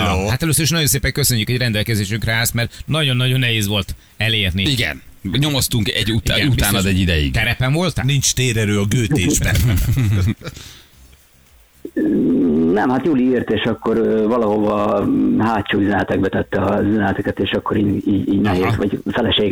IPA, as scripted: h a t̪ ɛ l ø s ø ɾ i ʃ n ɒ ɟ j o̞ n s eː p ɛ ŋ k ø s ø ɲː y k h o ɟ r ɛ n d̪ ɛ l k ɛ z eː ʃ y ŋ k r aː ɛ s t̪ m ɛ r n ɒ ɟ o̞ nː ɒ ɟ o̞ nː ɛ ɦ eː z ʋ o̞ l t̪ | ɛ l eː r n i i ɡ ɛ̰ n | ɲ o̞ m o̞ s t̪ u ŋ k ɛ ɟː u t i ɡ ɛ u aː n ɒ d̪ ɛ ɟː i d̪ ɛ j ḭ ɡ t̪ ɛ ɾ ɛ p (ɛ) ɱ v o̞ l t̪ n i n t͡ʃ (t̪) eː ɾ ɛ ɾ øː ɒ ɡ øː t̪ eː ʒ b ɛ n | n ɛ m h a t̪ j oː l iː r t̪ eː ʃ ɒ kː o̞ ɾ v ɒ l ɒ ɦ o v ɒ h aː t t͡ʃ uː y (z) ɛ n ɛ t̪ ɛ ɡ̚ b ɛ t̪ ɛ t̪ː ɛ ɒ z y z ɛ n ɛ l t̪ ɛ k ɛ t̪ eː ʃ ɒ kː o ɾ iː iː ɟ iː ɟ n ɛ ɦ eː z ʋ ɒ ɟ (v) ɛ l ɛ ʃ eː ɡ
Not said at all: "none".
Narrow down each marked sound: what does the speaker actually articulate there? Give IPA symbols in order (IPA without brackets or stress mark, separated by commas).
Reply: ɛ, t̪, z, f